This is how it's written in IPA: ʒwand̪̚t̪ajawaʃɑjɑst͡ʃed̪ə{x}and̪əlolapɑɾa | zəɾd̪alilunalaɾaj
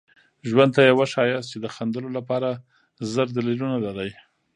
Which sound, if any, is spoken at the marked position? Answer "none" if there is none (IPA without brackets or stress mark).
x